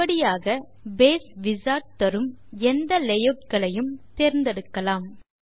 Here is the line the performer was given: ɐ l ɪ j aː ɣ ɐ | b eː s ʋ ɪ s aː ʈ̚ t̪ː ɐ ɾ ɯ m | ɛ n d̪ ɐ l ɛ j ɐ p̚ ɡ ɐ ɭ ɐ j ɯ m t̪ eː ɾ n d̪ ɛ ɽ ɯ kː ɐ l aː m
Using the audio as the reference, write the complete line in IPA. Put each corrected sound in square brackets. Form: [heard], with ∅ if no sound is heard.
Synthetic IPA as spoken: ɐ [ɽ] ɪ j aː ɣ ɐ | b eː s ʋ ɪ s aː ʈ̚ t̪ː ɐ ɾ ɯ m | ɛ n d̪ ɐ l ɛ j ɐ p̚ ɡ ɐ ɭ ɐ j ɯ m t̪ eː ɾ n d̪ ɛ ɽ ɯ kː ɐ l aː m